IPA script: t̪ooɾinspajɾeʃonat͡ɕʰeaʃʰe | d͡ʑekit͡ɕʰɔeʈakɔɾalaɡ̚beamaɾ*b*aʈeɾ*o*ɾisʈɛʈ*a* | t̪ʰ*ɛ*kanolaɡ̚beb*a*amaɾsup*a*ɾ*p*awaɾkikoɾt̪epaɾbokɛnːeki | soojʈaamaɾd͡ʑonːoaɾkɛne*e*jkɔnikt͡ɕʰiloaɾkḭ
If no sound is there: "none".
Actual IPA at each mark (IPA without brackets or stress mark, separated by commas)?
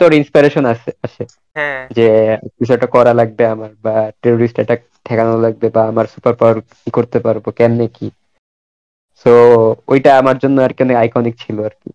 b, o, a, ɛ, a, a, p, a